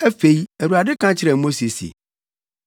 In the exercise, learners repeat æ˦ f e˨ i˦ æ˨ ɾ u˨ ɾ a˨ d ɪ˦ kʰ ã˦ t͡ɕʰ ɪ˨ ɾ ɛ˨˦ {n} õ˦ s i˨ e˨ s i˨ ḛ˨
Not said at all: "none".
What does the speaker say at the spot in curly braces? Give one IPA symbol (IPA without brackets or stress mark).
m